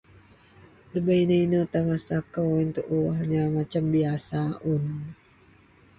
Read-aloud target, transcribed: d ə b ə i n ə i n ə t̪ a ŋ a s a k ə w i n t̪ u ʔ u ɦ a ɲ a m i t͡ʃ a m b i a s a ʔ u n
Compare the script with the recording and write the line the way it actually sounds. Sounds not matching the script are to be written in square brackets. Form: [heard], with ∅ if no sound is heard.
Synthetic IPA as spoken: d ə b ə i n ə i n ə t̪ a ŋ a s a k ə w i n t̪ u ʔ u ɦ a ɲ a m [a] t͡ʃ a m b i a s a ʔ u n